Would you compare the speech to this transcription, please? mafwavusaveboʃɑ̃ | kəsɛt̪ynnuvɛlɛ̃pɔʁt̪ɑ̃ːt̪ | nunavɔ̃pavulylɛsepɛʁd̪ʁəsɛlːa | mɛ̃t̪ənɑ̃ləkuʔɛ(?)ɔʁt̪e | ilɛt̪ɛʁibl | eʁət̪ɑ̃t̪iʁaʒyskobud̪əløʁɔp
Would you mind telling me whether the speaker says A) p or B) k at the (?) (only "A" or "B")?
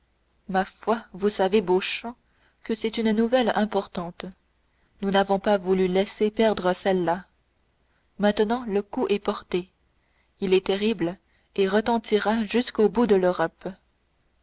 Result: A